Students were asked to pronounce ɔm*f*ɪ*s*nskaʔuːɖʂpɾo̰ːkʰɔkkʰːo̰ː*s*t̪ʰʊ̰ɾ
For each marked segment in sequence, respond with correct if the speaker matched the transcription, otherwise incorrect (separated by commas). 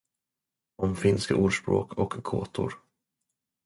correct, incorrect, incorrect